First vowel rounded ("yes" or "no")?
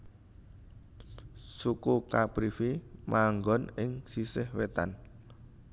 yes